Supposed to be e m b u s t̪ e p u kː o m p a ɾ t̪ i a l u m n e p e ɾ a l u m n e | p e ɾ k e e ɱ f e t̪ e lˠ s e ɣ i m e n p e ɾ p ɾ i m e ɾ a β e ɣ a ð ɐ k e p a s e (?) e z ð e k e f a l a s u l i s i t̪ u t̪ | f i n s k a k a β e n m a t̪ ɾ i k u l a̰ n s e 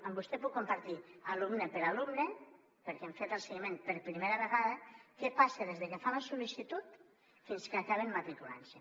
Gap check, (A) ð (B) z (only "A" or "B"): A